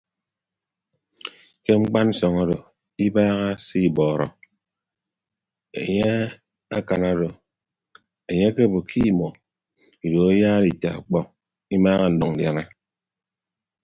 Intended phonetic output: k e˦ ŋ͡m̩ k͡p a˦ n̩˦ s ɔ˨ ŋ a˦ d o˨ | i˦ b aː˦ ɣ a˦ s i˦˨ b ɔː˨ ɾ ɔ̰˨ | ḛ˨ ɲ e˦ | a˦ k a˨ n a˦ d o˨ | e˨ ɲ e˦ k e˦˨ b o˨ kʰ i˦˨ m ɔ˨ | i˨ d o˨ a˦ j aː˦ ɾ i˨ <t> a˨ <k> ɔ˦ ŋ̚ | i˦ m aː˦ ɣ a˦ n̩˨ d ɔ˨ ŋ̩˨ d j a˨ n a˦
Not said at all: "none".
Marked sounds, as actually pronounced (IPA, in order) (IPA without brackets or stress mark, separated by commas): t, k͡p